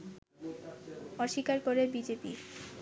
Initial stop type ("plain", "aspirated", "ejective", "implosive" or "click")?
plain